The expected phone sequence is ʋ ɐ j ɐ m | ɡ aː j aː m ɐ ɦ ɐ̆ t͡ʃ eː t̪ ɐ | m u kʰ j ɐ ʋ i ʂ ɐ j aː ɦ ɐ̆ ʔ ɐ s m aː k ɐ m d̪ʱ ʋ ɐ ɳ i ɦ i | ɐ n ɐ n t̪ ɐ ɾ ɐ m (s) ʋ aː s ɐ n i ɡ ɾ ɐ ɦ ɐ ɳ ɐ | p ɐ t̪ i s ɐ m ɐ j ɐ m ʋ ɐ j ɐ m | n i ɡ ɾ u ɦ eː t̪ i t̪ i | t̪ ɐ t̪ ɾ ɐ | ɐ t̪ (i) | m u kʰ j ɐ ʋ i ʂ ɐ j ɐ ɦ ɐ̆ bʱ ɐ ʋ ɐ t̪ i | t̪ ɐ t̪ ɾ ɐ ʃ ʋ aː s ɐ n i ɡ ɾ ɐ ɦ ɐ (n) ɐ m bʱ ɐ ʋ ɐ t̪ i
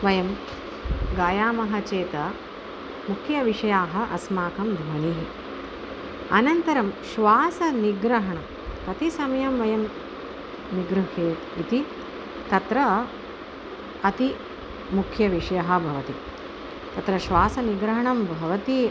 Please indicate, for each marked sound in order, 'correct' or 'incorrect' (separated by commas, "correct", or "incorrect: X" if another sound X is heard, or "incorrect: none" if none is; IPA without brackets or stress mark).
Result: incorrect: ʃ, correct, incorrect: ɳ